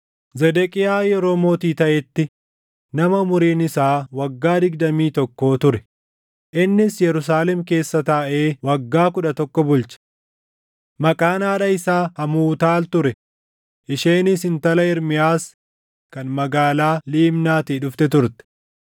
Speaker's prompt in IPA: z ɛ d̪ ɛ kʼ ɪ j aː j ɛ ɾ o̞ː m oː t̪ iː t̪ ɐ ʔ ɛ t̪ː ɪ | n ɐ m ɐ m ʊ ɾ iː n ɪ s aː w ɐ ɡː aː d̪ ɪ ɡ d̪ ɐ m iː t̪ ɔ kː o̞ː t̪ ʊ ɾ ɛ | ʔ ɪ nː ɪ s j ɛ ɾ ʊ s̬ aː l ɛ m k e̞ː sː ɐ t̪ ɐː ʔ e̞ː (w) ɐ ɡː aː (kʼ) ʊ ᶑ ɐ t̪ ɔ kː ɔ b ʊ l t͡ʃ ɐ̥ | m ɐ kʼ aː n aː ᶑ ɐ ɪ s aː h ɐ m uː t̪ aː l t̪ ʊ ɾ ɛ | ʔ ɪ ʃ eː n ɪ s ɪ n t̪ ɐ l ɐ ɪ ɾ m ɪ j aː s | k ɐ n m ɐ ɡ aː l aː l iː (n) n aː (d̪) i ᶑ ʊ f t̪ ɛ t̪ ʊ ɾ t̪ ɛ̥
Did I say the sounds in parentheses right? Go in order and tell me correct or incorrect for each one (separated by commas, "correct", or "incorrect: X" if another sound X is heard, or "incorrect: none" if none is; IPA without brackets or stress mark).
correct, incorrect: k, incorrect: m, incorrect: t̪